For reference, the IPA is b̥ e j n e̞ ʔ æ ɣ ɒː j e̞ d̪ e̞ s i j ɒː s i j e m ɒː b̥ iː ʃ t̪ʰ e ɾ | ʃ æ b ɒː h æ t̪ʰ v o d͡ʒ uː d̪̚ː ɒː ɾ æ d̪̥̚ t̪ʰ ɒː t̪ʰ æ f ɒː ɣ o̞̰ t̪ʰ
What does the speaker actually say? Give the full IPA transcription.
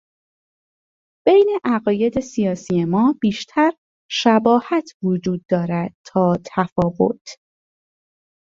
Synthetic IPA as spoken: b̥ e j n e̞ ʔ æ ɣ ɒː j e̞ d̪ e̞ s i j ɒː s i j e m ɒː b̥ iː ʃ t̪ʰ æ ɾ | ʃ æ b ɒː h æ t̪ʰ v o d͡ʒ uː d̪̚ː ɒː ɾ æ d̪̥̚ t̪ʰ ɒː t̪ʰ æ f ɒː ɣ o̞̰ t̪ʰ